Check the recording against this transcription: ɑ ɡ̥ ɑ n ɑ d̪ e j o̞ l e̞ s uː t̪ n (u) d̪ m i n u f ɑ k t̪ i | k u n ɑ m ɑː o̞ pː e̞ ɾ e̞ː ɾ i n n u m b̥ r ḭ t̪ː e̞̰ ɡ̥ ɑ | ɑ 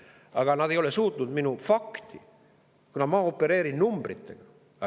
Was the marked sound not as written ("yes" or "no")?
no